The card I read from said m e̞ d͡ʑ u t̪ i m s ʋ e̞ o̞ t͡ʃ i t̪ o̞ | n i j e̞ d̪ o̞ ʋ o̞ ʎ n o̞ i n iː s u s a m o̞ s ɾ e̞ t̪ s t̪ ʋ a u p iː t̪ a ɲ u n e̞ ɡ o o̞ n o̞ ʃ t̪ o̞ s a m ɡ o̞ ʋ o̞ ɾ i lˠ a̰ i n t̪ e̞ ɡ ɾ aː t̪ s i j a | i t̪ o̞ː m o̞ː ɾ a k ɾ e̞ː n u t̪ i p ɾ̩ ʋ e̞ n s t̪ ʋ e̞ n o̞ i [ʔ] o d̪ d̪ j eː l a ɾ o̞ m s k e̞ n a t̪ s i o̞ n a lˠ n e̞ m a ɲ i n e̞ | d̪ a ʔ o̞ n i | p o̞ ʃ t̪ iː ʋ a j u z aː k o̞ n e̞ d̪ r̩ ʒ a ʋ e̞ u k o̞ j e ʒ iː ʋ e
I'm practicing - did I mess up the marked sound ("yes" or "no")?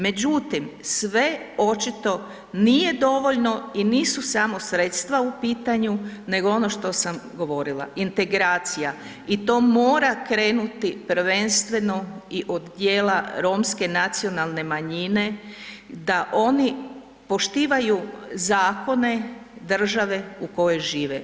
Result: no